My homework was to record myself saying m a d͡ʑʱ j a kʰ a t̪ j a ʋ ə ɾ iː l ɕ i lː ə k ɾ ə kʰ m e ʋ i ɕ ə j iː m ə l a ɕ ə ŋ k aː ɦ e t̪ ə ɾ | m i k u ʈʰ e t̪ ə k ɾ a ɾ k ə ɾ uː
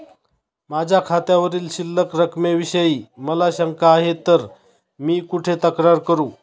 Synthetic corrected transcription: m a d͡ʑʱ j a kʰ a t̪ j a ʋ ə ɾ iː l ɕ i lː ə k ɾ ə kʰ m e ʋ i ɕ ə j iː m ə l a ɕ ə ŋ k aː ɦ e t̪ ə ɾ | m iː k u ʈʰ e t̪ ə k ɾ a ɾ k ə ɾ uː